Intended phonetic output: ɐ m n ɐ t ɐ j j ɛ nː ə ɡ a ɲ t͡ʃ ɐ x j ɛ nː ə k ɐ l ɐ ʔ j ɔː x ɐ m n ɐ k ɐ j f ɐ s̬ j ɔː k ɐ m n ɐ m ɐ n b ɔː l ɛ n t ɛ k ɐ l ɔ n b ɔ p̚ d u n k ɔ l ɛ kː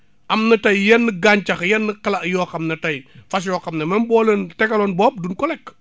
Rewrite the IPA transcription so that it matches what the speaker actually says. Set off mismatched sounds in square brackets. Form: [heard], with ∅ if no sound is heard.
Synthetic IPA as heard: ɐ m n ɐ t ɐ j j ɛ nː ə ɡ a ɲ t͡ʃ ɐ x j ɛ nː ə k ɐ l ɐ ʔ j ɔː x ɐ m n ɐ [t] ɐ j f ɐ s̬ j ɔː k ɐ m n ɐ m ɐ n b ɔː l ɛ n t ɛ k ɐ l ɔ n b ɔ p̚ d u n k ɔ l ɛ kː

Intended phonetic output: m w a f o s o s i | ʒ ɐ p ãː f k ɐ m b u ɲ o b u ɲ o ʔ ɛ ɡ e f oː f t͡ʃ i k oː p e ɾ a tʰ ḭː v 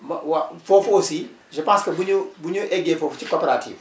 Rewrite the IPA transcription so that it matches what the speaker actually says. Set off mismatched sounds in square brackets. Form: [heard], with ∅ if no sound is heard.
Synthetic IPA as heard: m w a f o [f] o s i | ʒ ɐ p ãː [s] k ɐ [∅] b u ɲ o b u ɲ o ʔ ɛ ɡ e f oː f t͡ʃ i k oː p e ɾ a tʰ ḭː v

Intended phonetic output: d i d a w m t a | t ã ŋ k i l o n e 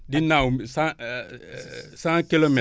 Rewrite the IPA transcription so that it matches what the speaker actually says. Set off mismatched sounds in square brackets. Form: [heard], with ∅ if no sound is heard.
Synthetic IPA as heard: d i [n] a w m [s] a | [s] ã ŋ k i l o [m] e

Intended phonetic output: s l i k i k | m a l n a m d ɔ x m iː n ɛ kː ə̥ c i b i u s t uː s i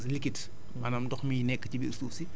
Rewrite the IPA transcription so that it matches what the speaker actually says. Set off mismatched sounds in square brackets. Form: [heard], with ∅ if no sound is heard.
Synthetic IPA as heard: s l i k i [t] | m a [∅] n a m d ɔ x m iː n ɛ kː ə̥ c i b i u s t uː s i

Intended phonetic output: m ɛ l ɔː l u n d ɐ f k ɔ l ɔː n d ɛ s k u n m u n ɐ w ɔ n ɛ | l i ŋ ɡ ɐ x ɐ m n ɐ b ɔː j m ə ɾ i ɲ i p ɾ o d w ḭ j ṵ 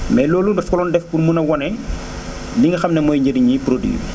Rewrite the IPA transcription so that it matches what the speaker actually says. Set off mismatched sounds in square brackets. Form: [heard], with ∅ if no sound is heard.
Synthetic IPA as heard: m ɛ l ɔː l u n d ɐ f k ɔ l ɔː n d ɛ [f] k u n m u n ɐ w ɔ n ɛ | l i ŋ ɡ ɐ x ɐ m n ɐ [m] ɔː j [ɲ] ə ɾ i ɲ i p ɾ o d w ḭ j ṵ

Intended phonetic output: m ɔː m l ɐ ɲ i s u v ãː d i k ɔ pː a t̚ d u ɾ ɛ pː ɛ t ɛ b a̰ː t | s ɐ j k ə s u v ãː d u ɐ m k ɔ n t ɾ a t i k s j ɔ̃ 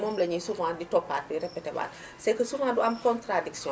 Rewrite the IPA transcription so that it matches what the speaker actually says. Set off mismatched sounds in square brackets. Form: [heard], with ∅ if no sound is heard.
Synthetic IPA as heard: m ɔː m l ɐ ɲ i s u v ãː d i [t] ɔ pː a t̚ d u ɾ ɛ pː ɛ t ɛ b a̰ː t | s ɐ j k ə s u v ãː d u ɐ m k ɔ n t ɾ a [d] i k s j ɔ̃

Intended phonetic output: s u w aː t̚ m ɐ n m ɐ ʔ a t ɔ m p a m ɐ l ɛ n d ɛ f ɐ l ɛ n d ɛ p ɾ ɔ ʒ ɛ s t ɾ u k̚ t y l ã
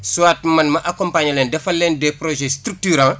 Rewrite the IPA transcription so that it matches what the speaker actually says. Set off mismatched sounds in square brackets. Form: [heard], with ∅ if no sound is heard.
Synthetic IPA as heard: s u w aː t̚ m ɐ n m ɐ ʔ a [k] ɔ m p a [ɲ] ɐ l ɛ n d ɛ f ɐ l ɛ n d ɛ p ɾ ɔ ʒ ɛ s t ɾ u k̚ t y [ɾ] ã

